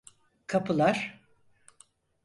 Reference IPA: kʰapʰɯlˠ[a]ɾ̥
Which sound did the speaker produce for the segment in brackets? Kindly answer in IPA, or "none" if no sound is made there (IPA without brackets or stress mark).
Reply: a